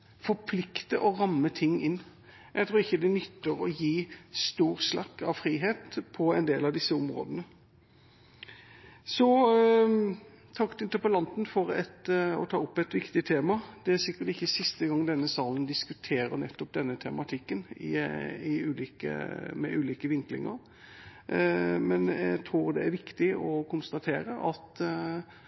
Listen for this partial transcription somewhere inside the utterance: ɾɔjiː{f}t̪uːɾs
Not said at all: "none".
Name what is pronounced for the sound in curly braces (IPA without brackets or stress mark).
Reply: s